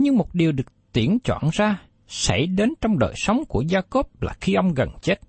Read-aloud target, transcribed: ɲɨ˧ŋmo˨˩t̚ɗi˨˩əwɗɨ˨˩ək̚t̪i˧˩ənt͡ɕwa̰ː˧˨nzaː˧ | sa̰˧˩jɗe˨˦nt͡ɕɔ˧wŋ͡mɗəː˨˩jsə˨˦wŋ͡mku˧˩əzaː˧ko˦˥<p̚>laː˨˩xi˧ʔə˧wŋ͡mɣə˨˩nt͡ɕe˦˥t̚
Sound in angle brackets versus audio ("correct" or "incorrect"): correct